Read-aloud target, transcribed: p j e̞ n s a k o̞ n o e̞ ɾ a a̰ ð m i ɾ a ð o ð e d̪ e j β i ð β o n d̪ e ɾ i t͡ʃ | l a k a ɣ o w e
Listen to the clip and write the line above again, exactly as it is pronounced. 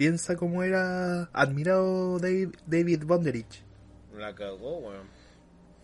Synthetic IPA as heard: p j e̞ n s a k o̞ m o e̞ ɾ a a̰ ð m i ɾ a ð o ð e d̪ e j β i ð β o n d̪ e ɾ i t͡ʃ | l a k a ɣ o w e